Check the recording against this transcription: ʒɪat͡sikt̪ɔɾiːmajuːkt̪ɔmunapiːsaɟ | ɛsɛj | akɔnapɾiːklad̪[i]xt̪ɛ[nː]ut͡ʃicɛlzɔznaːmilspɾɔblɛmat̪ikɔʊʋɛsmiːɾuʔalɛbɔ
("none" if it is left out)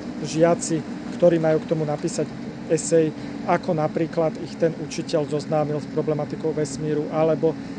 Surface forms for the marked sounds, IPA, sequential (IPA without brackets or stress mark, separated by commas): i, n